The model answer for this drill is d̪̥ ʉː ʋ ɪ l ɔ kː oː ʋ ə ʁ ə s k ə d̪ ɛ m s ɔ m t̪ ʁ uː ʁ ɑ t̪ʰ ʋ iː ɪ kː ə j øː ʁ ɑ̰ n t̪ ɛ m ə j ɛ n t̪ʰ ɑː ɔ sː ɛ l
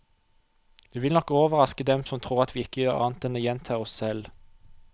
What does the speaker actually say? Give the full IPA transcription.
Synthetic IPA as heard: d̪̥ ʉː ʋ ɪ l ɔ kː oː ʋ ə ʁ ɑ s k ə d̪ ɛ m s ɔ m t̪ʰ ʁ uː ʁ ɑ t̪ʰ ʋ iː ɪ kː ə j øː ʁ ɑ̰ n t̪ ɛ n ə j ɛ n t̪ʰ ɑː ɔ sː ɛ l